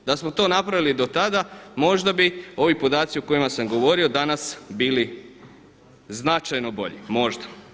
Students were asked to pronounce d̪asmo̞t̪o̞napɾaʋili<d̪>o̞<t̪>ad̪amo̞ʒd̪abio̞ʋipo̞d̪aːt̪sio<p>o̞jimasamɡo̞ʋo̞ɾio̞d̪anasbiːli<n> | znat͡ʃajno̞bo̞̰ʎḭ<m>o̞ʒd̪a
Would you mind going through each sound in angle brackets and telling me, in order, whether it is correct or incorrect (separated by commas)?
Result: correct, correct, incorrect, incorrect, correct